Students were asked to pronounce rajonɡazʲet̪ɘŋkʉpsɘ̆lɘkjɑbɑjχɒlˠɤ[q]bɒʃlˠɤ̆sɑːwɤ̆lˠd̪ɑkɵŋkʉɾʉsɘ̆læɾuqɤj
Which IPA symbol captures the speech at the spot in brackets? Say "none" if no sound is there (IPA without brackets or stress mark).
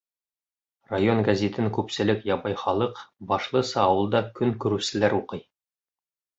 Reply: q